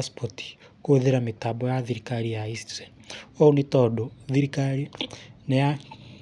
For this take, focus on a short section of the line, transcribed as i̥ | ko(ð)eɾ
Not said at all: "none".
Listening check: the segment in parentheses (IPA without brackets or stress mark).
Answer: ð